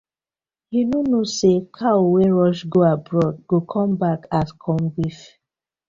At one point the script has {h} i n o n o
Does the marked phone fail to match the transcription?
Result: no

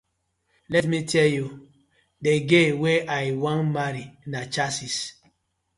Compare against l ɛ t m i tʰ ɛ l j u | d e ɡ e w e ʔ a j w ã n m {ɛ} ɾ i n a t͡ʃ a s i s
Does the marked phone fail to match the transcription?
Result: yes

